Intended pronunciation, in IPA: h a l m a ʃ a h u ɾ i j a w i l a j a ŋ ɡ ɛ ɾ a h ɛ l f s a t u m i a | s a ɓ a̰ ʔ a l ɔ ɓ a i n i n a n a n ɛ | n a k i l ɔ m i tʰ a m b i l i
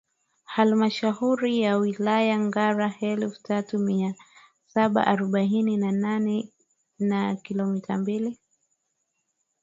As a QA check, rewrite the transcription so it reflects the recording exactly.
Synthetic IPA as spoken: h a l m a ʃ a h u ɾ i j a w i l a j a ŋ ɡ a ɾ a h ɛ l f t a t u m i a | s a ɓ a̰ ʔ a ɾ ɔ ɓ a i n i n a n a n ɛ | n a k i l ɔ m i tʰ a m b i l i